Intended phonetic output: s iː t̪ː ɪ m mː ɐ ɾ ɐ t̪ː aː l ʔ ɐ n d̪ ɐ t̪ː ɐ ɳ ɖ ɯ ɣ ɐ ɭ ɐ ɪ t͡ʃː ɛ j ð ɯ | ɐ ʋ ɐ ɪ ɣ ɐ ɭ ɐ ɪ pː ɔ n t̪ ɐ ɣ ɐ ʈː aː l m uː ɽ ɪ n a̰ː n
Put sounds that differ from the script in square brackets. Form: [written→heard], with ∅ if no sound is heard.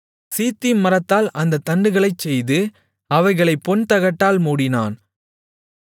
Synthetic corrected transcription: s iː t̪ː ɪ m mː ɐ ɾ ɐ t̪ː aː l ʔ ɐ n d̪ ɐ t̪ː ɐ ɳ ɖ ɯ ɣ ɐ ɭ ɐ ɪ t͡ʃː ɛ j ð ɯ | ɐ ʋ ɐ ɪ ɣ ɐ ɭ ɐ ɪ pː ɔ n t̪ ɐ ɣ ɐ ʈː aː l m uː ɽ ɪ n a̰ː n